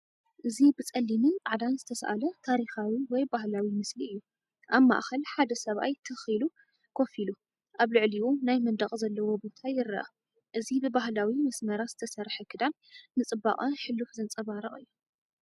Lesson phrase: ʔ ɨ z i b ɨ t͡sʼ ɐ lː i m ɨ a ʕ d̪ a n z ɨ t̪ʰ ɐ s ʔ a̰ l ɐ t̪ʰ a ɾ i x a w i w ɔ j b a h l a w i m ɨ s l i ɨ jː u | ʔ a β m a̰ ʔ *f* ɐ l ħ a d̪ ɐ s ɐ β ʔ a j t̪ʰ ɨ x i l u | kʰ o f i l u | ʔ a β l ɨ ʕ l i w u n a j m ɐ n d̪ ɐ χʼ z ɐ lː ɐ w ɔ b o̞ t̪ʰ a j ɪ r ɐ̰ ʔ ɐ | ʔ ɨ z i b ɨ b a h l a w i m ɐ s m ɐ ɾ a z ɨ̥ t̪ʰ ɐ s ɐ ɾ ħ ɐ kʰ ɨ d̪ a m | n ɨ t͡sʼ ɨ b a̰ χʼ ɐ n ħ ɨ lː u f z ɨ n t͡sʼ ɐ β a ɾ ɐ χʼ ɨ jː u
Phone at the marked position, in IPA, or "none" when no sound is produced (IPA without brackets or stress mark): x